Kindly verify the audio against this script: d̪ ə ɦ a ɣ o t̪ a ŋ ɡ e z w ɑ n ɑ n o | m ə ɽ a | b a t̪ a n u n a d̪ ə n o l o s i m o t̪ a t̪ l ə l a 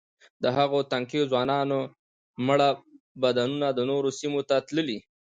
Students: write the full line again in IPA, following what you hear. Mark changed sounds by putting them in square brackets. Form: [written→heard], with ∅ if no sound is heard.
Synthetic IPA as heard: d̪ ə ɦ a ɣ o t̪ a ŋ [ɡ→k] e z w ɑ n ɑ n o | m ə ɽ a | b a [t̪→d̪] a n u n a d̪ ə n o [l→ɾ] o s i m o t̪ a t̪ l ə l [a→i]